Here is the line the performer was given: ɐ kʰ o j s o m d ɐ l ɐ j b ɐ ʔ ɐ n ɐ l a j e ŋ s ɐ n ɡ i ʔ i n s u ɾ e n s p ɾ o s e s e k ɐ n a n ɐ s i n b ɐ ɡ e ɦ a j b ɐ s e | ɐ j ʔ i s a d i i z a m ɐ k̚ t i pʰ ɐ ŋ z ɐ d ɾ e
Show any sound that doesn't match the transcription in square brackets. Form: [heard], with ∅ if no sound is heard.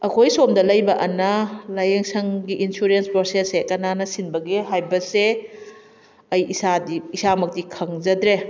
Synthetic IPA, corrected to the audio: ɐ kʰ o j s o m d ɐ l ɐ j b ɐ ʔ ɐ n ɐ l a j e ŋ s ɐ [ŋ] ɡ i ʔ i n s u ɾ e n s p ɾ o s e s e k ɐ n a n ɐ s i n b ɐ ɡ e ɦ a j b ɐ s e | ɐ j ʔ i s a d i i [s] a m ɐ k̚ t i [kʰ] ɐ ŋ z ɐ d ɾ e